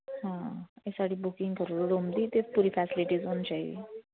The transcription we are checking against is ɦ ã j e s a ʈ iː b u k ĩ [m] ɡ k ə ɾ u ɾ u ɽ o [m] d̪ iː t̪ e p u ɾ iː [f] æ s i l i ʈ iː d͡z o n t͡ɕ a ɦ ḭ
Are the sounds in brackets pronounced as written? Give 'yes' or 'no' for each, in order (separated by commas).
no, yes, yes